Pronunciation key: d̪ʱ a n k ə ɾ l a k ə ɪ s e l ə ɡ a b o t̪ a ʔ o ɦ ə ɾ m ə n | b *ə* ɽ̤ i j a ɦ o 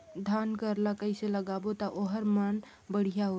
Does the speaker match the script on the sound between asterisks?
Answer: yes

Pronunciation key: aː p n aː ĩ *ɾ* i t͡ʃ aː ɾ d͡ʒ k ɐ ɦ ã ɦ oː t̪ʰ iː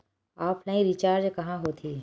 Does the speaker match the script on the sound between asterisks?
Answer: yes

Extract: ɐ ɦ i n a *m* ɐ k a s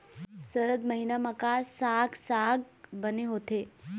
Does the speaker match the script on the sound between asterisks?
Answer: yes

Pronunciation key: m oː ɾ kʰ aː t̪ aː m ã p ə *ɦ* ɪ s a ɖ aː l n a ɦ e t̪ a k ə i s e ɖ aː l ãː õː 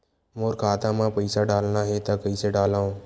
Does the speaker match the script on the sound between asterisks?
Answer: no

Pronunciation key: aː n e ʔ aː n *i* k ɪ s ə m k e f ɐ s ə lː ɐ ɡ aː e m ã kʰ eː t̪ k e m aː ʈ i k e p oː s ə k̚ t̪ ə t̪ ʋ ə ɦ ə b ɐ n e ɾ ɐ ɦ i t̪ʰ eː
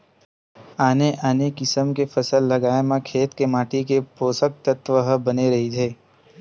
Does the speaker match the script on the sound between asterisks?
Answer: no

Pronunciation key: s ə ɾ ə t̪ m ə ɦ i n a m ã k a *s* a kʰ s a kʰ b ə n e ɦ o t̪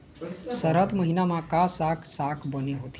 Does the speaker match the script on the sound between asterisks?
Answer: yes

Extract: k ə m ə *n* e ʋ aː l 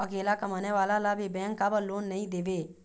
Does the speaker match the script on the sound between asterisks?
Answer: yes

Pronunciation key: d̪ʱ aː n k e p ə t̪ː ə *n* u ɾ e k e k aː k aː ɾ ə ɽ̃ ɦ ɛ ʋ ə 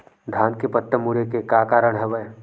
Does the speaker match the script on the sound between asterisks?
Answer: no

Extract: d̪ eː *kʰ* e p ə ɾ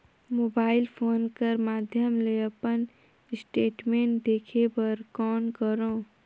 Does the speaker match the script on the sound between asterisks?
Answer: yes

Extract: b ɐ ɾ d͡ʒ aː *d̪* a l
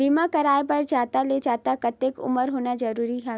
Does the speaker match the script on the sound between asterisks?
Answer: no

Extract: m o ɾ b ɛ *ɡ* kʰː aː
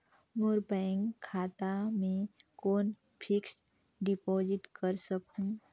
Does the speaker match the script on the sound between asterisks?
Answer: no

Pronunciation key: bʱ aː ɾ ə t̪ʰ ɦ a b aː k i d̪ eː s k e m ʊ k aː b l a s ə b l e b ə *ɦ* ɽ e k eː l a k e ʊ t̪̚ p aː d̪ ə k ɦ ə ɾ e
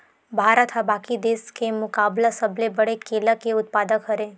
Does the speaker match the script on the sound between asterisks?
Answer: no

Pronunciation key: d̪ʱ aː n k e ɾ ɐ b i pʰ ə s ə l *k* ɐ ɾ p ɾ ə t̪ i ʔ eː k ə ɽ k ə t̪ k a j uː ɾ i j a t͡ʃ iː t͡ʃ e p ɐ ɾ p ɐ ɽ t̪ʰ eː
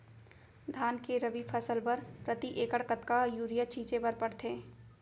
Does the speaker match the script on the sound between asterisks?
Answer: no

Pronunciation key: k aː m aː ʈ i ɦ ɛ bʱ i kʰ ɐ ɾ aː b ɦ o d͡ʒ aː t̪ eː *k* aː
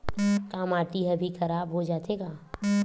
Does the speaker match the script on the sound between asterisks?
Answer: no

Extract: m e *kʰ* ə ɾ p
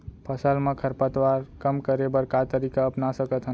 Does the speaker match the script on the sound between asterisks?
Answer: yes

